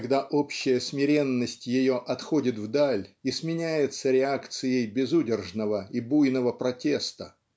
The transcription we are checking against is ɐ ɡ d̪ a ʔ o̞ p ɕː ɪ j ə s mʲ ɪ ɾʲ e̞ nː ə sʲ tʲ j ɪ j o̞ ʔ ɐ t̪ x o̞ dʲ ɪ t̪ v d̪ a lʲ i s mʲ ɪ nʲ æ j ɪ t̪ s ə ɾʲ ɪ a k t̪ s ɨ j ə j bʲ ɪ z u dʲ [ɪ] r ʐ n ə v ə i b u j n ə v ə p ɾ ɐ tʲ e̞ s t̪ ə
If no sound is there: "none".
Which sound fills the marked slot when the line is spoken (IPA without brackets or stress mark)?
ɪ